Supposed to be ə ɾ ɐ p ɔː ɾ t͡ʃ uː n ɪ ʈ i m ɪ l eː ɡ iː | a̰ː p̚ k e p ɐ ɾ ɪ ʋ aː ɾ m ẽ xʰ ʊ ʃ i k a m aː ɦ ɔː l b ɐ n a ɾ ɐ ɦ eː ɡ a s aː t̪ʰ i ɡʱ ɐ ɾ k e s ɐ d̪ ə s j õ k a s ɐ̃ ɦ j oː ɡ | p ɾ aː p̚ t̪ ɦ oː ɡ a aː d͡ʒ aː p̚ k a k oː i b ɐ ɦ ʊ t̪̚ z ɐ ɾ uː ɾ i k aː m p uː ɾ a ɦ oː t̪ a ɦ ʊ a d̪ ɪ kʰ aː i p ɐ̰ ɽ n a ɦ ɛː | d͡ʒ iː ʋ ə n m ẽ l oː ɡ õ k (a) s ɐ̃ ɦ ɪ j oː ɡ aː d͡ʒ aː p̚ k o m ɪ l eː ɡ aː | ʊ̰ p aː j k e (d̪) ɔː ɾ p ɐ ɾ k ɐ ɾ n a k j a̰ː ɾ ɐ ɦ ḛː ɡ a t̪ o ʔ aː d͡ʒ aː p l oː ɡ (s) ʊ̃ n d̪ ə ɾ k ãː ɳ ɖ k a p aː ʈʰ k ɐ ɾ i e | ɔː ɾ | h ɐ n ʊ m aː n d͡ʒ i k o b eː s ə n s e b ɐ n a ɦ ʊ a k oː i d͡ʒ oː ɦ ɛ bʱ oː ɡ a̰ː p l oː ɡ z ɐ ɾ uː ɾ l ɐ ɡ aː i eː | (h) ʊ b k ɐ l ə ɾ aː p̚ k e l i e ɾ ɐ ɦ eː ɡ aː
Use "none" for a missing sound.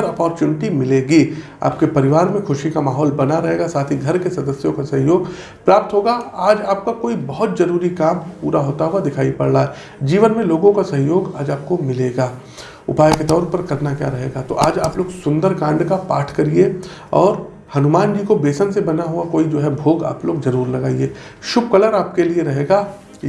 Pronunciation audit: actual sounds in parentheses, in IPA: a, t̪, s, ʃ

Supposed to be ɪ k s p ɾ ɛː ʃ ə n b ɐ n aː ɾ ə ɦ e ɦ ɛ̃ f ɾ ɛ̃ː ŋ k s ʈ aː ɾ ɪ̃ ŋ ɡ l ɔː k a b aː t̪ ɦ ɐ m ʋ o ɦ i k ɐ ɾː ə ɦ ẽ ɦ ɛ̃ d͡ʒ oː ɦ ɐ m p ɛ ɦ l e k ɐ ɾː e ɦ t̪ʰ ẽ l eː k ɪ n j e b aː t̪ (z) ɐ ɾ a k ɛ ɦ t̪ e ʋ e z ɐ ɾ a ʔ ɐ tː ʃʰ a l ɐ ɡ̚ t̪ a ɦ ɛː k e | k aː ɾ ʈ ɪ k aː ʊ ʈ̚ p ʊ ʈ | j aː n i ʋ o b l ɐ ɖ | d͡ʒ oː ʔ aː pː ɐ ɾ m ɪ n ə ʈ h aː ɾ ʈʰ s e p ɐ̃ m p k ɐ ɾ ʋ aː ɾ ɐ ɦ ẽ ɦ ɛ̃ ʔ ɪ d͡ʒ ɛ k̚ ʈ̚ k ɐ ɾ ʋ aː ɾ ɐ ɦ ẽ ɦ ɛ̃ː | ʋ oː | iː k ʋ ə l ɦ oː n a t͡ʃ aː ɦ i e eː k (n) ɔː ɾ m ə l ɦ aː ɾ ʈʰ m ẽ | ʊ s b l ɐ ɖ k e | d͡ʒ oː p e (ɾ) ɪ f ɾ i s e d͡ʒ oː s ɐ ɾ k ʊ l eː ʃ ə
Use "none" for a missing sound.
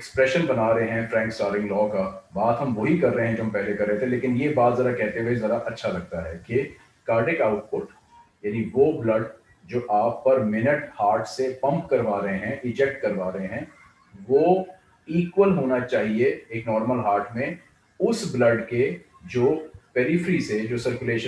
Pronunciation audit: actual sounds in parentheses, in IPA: z, n, ɾ

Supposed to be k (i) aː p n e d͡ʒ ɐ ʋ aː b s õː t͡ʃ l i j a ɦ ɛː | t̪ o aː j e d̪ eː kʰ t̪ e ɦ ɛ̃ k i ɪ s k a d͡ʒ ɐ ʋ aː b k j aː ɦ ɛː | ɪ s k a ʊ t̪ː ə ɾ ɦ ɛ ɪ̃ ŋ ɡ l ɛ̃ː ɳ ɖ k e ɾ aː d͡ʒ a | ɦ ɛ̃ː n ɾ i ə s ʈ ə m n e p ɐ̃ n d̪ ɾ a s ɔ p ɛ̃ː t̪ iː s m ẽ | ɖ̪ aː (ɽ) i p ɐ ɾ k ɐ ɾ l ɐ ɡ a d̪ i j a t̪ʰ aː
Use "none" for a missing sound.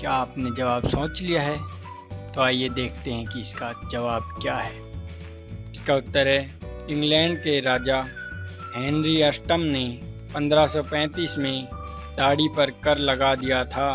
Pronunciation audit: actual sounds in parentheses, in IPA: j, ɽ

